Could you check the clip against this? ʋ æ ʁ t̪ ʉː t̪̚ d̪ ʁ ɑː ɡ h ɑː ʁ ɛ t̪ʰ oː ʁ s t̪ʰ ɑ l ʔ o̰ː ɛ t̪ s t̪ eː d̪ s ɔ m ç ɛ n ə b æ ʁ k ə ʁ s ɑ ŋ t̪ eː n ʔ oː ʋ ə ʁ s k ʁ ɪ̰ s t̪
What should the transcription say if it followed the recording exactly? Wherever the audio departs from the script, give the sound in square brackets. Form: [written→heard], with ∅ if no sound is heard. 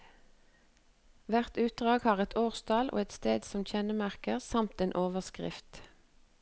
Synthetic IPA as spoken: ʋ æ ʁ t̪ ʉː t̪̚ d̪ ʁ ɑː ɡ h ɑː ʁ ɛ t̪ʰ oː ʁ s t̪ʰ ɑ l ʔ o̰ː ɛ t̪ s t̪ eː d̪ s ɔ m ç ɛ n ə [b→m] æ ʁ k ə ʁ s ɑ [ŋ→m] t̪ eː n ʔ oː ʋ ə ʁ s k ʁ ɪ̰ [s→f] t̪